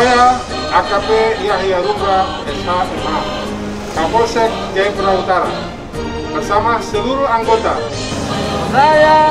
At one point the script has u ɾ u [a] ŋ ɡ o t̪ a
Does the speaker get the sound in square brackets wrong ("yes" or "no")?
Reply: no